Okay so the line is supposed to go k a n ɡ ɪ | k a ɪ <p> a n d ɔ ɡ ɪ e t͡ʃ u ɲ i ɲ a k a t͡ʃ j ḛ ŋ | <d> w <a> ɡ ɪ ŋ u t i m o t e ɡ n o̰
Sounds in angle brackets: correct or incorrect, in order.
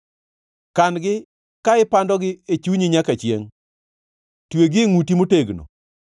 correct, incorrect: t, incorrect: e

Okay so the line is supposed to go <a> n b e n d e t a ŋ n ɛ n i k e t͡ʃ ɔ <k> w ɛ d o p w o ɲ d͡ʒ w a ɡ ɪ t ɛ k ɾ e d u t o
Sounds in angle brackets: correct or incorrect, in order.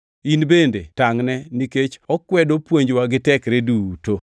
incorrect: i, correct

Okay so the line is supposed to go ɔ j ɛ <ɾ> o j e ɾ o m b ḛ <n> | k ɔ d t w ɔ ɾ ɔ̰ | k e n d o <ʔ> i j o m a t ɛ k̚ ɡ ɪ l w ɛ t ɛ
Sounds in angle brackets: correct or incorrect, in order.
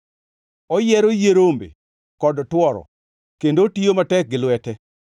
correct, incorrect: none, incorrect: t

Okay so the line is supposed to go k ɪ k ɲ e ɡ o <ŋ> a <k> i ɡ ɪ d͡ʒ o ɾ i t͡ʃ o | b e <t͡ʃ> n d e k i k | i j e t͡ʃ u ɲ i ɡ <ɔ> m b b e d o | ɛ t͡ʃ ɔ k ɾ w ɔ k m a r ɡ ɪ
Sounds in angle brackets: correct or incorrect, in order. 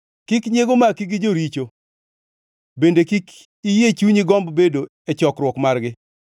incorrect: m, correct, incorrect: none, correct

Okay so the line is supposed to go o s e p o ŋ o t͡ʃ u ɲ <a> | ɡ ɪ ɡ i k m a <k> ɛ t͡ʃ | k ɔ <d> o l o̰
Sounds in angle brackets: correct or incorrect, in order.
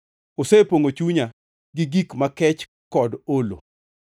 correct, correct, correct

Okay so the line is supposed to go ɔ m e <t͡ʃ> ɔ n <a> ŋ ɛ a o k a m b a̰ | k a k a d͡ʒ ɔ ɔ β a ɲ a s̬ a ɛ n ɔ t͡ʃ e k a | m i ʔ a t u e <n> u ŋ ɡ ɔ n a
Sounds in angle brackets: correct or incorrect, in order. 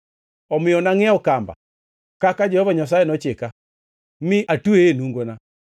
incorrect: none, correct, correct

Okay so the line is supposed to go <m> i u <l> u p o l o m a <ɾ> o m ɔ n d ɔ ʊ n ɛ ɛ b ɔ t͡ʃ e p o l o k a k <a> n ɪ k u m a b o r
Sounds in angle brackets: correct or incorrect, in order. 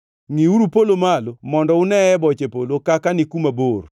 incorrect: ŋ, incorrect: ɾ, incorrect: l, correct

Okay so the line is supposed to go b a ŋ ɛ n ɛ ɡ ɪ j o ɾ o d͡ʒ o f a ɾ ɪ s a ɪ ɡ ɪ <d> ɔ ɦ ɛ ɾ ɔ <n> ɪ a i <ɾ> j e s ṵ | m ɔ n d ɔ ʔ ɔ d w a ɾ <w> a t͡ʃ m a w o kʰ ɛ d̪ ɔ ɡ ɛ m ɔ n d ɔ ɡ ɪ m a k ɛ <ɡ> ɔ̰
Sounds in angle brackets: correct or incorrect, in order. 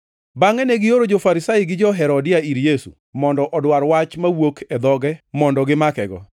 incorrect: d͡ʒ, incorrect: d, correct, correct, correct

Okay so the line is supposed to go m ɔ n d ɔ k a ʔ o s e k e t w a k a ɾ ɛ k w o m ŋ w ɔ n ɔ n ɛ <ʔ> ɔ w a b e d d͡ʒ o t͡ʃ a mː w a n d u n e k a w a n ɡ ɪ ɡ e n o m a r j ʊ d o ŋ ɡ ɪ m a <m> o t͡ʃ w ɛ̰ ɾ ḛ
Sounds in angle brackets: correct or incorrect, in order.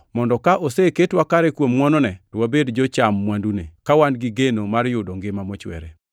incorrect: t, correct

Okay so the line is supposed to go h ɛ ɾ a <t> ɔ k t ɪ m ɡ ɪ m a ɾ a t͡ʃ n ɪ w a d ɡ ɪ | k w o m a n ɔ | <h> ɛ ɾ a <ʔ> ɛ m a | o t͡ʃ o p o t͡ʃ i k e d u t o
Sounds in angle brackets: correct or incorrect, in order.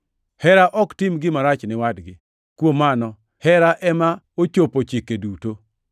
incorrect: ʔ, correct, correct

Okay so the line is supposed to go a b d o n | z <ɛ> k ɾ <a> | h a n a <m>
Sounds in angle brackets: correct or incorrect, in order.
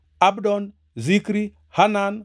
incorrect: i, incorrect: i, incorrect: n

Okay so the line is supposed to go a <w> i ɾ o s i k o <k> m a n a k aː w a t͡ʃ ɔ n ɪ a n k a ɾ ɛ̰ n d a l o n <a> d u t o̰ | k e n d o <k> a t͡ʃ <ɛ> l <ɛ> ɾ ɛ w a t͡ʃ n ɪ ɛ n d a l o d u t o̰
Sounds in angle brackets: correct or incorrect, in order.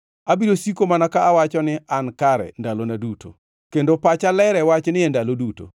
incorrect: b, incorrect: none, correct, incorrect: p, incorrect: a, correct

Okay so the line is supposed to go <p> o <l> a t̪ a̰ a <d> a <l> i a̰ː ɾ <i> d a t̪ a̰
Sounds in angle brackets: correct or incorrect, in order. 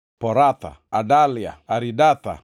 correct, incorrect: ɾ, correct, correct, correct

